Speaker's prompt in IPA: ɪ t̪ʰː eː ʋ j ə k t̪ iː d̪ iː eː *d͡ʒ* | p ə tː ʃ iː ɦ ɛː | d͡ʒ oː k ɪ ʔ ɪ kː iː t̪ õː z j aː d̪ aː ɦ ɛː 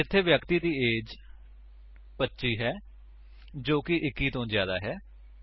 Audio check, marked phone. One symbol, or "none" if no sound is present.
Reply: d͡ʒ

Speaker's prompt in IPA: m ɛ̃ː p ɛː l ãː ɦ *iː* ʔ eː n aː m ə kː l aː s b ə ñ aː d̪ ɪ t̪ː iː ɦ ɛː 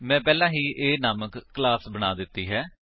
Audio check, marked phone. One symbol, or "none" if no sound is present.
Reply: iː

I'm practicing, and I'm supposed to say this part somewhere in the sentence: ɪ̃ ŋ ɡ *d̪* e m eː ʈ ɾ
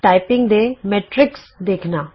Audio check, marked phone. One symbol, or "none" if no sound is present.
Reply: d̪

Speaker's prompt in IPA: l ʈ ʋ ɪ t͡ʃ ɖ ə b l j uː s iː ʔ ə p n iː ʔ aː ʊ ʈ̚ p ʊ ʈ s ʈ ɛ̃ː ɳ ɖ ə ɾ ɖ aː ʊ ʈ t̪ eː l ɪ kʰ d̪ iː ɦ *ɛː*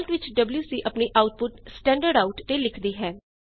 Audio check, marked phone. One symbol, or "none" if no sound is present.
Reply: ɛː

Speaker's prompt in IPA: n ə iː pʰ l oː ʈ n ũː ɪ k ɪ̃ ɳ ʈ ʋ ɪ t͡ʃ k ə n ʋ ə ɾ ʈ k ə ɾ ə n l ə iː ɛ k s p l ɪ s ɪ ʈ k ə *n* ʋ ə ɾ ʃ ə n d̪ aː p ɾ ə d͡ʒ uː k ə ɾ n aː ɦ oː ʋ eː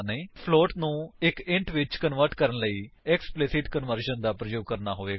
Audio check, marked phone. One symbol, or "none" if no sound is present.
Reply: n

